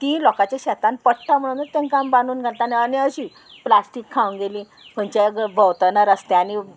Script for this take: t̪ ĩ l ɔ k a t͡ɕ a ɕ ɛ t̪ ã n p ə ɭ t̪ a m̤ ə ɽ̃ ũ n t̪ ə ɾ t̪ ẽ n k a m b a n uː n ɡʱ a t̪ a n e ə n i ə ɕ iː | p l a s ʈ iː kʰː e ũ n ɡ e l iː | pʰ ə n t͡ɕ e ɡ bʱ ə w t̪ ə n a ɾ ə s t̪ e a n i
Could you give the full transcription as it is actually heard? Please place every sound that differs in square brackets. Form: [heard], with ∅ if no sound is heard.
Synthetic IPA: t̪ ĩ l ɔ k a t͡ɕ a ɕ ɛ t̪ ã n p ə [ɽ] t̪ a m̤ ə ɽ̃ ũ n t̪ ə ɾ t̪ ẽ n k a m b a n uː n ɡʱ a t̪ a n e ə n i ə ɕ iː | p l a s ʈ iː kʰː [a] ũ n ɡ e l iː | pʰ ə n t͡ɕ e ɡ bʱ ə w t̪ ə n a ɾ ə s t̪ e a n i

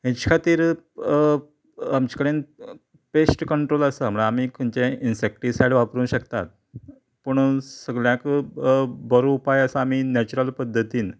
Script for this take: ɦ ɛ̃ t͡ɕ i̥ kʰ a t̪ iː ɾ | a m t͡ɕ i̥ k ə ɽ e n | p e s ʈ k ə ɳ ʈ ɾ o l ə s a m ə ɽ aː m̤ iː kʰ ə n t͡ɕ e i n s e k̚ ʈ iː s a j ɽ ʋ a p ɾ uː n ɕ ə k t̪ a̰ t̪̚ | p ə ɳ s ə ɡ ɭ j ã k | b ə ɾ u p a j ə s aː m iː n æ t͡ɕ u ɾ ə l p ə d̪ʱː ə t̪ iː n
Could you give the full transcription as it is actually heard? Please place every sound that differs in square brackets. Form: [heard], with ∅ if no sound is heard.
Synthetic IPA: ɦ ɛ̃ t͡ɕ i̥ kʰ a t̪ iː ɾ | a m t͡ɕ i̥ k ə ɽ e n | p e s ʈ k ə ɳ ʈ ɾ o l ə s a m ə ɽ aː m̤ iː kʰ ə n t͡ɕ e i n s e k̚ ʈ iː s a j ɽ ʋ a p ɾ uː n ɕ ə k t̪ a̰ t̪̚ | p ə ɳ s ə ɡ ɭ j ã k | b ə ɾ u p a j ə s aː m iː n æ t͡ɕ u ɾ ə l p ə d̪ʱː ə t̪ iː n

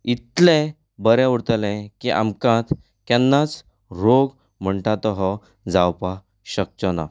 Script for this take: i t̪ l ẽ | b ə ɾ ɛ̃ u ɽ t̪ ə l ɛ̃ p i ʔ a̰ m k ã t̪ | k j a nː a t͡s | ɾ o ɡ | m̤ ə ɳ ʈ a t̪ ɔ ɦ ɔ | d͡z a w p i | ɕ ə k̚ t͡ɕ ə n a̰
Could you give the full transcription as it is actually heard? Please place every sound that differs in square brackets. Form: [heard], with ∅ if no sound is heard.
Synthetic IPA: i t̪ l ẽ | b ə ɾ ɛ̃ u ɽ t̪ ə l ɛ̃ [k] i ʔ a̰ m k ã t̪ | k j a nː a t͡s | ɾ o ɡ | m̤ ə ɳ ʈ a t̪ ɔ ɦ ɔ | d͡z a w p [a] | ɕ ə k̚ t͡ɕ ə n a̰

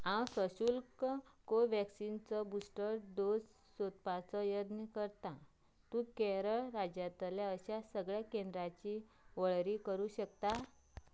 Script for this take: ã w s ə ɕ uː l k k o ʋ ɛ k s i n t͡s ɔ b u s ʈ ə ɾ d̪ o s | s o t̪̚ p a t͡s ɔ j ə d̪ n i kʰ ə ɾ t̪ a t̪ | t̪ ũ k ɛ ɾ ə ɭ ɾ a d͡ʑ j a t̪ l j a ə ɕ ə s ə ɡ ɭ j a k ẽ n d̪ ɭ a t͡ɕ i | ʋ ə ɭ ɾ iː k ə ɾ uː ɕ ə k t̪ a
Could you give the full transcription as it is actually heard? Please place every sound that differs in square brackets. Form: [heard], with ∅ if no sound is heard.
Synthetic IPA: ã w s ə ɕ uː l k k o ʋ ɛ k s i n t͡s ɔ b u s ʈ ə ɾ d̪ o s | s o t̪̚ p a t͡s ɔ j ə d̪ n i [k] ə ɾ t̪ a [∅] | t̪ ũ k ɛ ɾ ə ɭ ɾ a d͡ʑ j a t̪ l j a ə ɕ [a] s ə ɡ ɭ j a k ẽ n d̪ [ɾ] a t͡ɕ i | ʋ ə ɭ ɾ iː k ə ɾ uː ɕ ə k t̪ a

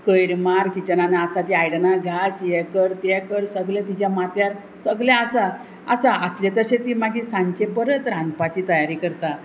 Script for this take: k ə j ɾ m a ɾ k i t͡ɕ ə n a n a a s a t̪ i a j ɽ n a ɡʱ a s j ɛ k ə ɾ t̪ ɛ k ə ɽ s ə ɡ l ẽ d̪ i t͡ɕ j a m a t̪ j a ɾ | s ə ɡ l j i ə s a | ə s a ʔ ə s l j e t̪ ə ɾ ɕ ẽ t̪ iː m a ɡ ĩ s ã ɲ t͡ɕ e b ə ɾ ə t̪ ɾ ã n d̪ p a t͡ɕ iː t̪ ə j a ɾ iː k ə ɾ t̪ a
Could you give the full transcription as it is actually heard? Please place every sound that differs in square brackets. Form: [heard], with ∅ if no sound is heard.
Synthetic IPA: k ə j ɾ m a ɾ k i t͡ɕ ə n a n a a s a t̪ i a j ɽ n a ɡʱ a s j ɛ k ə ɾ t̪ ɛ k ə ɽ s ə ɡ l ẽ [t̪] i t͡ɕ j a m a t̪ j a ɾ | s ə ɡ l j [a] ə s a | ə s a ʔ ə s l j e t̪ ə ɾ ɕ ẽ t̪ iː m a ɡ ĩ s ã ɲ t͡ɕ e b ə ɾ ə t̪ ɾ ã n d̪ p a t͡ɕ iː t̪ ə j a ɾ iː k ə ɾ t̪ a

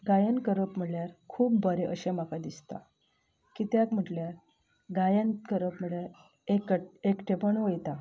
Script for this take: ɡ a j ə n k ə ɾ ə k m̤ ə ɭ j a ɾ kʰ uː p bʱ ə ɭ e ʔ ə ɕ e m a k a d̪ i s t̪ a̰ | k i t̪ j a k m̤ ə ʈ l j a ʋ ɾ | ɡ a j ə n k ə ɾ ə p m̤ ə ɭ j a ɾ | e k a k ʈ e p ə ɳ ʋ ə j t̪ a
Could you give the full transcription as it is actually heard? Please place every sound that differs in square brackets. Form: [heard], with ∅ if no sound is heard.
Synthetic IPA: ɡ a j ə n k ə ɾ ə [p] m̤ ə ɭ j a ɾ kʰ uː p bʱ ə [ɾ] e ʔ ə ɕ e m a k a d̪ i s t̪ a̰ | k i t̪ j a k m̤ ə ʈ l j a [∅] ɾ | ɡ a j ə n k ə ɾ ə p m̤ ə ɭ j a ɾ | e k [e] k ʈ e p ə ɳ ʋ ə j t̪ a

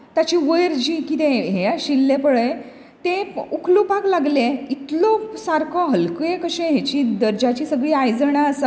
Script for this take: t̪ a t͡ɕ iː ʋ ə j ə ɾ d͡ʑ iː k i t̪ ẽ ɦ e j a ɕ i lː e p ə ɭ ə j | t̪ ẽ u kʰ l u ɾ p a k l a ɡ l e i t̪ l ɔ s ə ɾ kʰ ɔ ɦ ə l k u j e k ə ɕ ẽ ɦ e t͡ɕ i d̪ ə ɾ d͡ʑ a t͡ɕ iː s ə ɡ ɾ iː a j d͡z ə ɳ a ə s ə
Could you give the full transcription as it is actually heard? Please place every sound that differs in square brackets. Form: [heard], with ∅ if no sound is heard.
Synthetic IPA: t̪ a t͡ɕ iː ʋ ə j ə ɾ d͡ʑ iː k i t̪ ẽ ɦ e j a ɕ i lː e p ə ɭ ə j | t̪ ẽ u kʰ l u [∅] p a k l a ɡ l e i t̪ l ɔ s [a] ɾ kʰ ɔ ɦ ə l k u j e k ə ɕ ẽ ɦ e t͡ɕ i d̪ ə ɾ d͡ʑ a t͡ɕ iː s ə ɡ [ɭ] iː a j d͡z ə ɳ a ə s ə

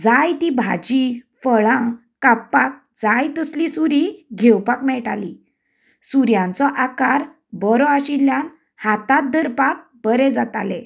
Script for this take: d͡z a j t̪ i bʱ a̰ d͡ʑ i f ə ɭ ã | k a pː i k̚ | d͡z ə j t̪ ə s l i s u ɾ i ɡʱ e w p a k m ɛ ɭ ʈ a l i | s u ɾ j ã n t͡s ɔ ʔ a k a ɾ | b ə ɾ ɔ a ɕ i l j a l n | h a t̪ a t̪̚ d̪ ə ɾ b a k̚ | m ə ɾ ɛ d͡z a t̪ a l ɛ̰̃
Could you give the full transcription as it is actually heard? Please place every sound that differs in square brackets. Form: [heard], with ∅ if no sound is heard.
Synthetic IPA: d͡z a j t̪ i bʱ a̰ d͡ʑ i f ə ɭ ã | k a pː [a] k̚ | d͡z [a] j t̪ ə s l i s u ɾ i ɡʱ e w p a k m ɛ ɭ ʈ a l i | s u ɾ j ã n t͡s ɔ ʔ a k a ɾ | b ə ɾ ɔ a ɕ i l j a [∅] n | h a t̪ a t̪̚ d̪ ə ɾ [p] a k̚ | [b] ə ɾ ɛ d͡z a t̪ a l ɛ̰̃

